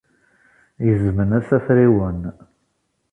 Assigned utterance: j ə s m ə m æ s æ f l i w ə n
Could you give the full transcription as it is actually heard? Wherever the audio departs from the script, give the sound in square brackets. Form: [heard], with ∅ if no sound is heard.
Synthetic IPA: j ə [z] m ə [n] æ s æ f [ɾ] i w ə n